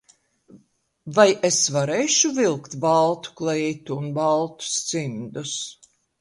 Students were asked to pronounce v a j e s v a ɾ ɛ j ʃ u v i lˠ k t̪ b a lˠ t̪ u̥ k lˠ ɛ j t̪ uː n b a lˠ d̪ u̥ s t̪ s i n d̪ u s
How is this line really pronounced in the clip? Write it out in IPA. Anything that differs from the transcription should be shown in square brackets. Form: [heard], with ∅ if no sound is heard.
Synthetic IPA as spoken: v a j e s v a ɾ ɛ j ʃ u v i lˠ k t̪ b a lˠ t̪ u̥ k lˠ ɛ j t̪ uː n b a lˠ [t̪] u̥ s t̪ s i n d̪ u s